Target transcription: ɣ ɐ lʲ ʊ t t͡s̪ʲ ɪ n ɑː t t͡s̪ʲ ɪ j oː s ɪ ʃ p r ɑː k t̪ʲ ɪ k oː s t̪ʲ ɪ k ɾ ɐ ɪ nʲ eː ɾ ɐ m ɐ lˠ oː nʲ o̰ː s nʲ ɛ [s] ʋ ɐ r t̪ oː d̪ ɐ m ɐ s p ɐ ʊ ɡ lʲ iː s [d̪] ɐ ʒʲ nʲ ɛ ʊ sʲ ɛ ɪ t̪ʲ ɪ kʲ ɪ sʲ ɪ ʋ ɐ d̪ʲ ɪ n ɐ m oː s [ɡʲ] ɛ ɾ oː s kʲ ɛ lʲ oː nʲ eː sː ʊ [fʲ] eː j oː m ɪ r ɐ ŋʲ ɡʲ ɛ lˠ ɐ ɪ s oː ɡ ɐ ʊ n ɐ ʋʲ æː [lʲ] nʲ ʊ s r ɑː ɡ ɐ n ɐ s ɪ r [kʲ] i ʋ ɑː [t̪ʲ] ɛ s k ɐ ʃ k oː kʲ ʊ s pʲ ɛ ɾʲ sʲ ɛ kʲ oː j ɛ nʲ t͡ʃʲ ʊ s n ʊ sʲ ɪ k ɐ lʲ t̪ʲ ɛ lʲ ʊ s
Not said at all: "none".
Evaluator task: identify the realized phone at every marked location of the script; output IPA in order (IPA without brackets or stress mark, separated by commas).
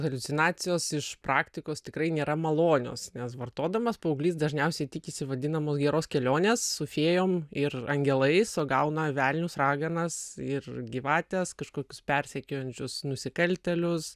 s, d̪, ɡʲ, fʲ, lʲ, ɡʲ, t̪ʲ